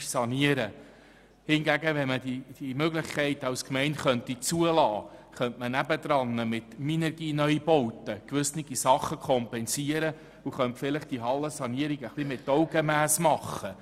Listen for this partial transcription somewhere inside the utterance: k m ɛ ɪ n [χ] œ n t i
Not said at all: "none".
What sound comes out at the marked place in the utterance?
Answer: χ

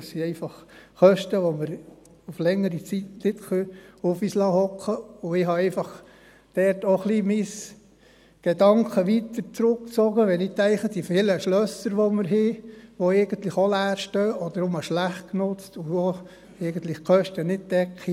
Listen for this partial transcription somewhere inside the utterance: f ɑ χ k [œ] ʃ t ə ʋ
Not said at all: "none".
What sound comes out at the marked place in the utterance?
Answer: œ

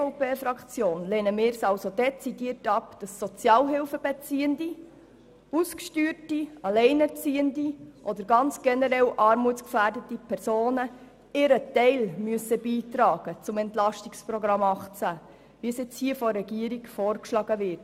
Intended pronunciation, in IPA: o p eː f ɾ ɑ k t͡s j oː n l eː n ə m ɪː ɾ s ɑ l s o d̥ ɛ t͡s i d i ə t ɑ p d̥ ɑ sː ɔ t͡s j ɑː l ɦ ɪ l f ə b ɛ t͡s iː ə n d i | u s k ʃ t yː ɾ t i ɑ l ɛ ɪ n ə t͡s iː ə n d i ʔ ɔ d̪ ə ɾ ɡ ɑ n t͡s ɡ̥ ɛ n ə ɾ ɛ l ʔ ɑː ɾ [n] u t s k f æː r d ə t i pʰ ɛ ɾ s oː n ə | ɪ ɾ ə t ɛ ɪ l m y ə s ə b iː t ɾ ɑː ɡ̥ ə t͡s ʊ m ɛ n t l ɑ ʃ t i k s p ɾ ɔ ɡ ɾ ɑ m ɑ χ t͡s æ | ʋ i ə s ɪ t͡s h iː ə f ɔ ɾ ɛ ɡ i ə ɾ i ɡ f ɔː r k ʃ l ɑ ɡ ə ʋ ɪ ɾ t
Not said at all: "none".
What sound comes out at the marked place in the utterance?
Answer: m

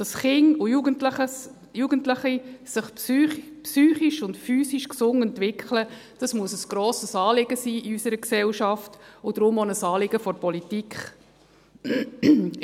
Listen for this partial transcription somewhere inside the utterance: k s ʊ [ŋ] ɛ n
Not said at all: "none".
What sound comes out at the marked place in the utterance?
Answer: ŋ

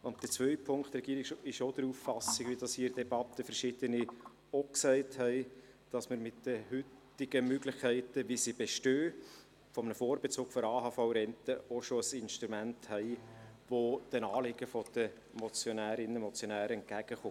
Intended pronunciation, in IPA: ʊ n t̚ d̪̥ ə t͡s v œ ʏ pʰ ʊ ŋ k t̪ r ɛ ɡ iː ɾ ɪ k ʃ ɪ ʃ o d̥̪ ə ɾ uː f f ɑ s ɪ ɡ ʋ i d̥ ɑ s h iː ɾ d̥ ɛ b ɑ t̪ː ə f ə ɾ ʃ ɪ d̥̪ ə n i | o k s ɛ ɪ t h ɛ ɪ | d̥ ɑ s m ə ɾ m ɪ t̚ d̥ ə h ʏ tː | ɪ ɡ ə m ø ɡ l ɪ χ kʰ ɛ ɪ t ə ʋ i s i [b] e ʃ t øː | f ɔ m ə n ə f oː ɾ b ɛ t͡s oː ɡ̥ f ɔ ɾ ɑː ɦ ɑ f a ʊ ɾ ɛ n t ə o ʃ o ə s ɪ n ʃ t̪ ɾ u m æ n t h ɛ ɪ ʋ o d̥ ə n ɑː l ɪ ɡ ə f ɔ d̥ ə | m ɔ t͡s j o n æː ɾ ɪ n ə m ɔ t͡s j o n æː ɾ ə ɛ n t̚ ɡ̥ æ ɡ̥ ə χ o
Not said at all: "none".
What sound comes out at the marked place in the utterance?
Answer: b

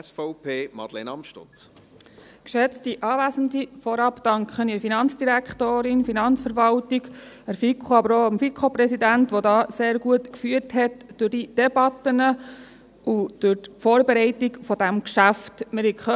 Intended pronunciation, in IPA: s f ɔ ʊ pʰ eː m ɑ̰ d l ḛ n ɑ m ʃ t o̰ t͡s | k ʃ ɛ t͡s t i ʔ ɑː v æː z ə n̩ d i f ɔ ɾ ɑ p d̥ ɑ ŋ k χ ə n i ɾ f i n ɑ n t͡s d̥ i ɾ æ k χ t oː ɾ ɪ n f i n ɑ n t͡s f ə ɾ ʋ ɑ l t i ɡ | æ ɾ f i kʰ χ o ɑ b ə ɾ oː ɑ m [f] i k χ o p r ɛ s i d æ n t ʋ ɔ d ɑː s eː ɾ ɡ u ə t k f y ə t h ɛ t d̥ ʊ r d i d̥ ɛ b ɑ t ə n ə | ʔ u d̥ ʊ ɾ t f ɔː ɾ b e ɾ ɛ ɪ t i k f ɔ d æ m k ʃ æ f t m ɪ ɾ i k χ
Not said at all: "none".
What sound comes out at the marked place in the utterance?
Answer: f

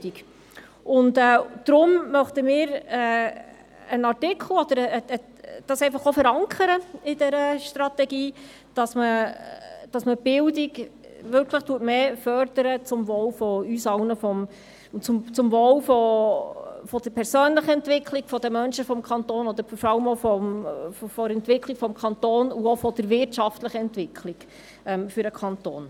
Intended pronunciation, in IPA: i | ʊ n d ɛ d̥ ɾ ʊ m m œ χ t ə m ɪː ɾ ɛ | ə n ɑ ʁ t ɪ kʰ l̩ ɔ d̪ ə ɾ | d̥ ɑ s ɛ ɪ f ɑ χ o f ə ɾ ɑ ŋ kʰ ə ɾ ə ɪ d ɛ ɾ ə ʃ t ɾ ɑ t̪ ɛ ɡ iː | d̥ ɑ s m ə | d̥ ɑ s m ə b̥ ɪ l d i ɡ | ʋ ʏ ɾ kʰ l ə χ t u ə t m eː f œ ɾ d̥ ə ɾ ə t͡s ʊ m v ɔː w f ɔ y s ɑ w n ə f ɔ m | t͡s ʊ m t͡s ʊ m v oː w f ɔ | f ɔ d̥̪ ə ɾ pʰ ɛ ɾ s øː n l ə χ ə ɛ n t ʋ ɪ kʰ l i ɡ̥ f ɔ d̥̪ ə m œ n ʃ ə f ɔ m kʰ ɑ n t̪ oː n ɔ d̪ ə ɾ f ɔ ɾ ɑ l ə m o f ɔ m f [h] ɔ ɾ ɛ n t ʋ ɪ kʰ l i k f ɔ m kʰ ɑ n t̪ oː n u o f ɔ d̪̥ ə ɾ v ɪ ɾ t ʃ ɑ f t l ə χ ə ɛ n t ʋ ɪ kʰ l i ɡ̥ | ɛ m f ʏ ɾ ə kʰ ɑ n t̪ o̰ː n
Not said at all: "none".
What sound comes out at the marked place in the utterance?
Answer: f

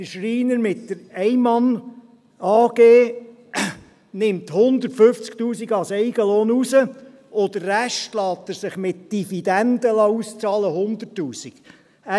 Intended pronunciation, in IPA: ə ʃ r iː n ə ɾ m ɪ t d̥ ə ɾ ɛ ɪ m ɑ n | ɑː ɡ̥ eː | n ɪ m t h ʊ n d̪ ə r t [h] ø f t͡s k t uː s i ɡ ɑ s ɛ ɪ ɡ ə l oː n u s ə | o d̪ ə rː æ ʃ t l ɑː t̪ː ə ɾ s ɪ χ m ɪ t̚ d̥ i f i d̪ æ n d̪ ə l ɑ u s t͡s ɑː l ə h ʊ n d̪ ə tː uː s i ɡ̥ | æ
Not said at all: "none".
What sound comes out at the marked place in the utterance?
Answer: f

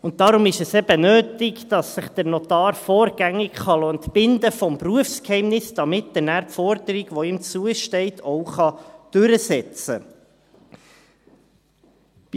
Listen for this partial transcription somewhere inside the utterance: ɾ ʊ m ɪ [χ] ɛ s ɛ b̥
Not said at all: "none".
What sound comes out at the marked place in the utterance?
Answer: ʃ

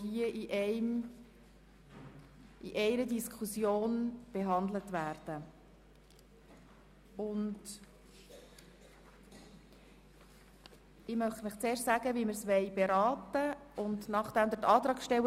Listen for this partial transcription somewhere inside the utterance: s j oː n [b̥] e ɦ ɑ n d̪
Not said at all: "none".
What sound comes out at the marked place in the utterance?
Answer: b̥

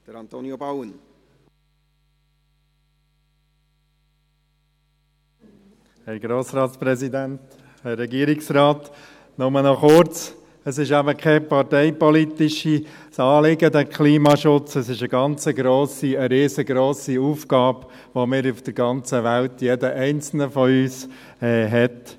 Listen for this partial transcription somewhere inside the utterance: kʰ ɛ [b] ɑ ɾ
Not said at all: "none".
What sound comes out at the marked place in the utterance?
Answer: p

